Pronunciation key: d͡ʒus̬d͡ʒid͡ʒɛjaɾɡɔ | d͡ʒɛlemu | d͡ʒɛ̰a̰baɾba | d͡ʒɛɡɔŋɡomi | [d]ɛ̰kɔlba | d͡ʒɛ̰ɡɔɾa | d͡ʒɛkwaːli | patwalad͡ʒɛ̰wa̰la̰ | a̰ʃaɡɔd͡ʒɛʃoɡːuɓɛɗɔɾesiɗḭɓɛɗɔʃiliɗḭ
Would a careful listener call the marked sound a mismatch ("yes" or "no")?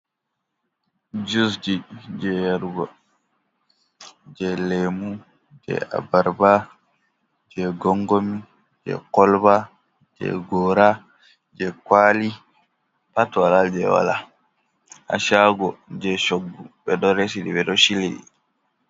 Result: yes